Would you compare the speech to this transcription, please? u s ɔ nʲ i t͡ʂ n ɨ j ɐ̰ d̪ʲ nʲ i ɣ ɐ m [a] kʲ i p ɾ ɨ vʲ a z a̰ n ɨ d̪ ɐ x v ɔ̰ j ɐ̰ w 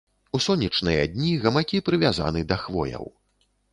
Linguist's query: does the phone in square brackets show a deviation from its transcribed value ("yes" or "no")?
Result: no